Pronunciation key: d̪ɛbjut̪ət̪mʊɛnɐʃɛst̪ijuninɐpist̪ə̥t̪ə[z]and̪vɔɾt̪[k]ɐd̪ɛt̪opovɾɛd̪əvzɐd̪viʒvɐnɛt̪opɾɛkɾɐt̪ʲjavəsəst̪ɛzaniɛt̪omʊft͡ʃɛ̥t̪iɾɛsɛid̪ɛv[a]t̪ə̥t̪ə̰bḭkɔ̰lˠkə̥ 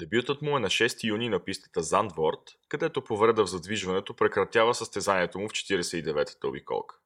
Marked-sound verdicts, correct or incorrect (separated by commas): correct, correct, incorrect